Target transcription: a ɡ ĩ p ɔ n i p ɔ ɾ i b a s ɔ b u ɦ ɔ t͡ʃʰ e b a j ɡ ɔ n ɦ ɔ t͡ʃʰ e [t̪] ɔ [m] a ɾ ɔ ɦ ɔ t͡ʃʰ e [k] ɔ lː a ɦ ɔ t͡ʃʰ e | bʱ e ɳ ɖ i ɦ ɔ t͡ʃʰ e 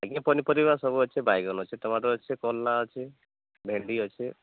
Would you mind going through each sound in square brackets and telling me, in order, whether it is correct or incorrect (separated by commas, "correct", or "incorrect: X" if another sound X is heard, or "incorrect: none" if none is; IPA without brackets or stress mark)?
correct, correct, correct